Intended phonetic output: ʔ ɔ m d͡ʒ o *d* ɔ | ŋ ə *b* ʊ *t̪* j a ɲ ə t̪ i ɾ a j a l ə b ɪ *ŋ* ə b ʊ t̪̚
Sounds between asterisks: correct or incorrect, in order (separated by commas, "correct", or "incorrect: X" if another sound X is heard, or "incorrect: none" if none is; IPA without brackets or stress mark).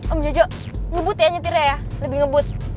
incorrect: d͡ʒ, correct, correct, correct